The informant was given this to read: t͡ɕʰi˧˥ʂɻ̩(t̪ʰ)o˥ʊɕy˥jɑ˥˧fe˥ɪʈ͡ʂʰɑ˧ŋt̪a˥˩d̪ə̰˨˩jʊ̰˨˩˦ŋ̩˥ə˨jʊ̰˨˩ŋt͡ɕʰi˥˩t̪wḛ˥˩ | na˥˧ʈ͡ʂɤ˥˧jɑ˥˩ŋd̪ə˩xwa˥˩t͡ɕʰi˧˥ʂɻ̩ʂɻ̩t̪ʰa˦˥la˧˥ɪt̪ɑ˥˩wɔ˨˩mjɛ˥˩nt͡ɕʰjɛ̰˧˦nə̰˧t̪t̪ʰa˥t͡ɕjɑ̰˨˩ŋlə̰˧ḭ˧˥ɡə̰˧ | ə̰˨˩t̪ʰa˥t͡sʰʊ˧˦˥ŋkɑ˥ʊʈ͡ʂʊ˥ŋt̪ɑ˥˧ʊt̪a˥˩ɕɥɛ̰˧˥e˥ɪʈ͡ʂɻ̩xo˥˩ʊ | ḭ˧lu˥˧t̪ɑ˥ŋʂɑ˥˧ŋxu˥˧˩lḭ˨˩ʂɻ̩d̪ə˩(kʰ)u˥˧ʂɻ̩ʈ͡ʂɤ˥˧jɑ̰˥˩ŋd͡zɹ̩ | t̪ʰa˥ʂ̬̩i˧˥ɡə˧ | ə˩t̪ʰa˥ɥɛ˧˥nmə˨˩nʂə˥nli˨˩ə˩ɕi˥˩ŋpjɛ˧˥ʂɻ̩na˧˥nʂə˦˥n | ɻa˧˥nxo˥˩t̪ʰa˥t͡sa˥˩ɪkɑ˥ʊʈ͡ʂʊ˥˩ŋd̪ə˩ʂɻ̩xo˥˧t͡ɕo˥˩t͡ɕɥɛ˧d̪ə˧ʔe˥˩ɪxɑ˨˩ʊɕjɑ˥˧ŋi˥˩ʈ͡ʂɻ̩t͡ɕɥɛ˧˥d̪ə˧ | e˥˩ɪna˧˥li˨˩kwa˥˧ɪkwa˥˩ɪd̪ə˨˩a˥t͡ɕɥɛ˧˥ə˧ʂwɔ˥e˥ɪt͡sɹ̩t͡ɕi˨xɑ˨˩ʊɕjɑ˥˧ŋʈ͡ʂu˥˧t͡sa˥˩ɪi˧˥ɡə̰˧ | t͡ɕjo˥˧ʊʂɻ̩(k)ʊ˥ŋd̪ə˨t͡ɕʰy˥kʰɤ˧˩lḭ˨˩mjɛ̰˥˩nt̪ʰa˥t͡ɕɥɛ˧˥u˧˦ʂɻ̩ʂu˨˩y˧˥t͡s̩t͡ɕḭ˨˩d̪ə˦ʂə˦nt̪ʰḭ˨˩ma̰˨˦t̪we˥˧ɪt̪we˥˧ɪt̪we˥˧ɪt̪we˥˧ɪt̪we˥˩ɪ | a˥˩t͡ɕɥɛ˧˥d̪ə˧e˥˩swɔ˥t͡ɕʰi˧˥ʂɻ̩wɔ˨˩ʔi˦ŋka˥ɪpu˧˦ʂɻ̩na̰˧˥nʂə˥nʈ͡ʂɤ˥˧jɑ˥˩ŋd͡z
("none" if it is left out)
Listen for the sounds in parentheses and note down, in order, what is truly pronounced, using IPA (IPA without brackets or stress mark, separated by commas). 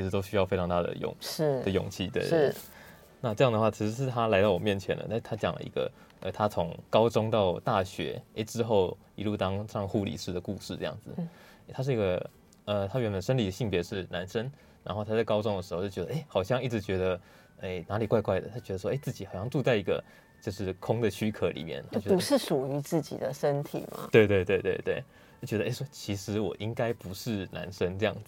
t̪, k, kʰ